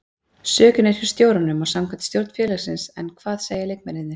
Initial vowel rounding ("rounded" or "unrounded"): rounded